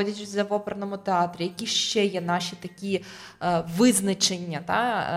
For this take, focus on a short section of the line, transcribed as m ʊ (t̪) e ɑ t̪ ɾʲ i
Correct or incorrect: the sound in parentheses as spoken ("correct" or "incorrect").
correct